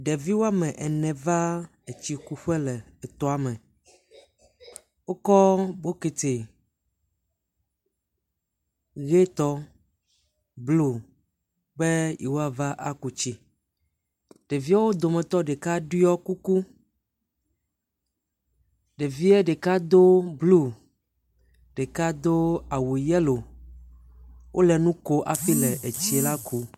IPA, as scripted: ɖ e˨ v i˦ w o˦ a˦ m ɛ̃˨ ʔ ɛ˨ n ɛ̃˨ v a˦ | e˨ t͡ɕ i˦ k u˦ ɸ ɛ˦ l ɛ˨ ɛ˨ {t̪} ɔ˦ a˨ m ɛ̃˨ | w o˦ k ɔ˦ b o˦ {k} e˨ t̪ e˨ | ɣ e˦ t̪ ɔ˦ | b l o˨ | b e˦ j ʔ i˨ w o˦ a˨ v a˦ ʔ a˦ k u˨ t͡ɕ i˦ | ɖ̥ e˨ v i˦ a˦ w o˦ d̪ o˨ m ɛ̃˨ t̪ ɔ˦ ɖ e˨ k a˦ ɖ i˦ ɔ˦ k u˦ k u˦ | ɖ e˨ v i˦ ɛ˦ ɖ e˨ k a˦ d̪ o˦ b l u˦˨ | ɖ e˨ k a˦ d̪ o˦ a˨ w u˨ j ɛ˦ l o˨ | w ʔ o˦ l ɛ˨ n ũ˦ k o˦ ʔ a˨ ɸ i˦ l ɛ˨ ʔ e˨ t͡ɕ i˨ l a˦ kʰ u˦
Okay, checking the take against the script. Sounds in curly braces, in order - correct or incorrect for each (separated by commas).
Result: correct, correct